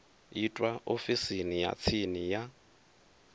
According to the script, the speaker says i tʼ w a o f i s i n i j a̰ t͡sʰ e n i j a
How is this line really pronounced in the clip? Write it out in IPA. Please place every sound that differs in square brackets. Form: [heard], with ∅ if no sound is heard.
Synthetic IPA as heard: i tʼ w a o f i s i n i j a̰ t͡sʰ [i] n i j a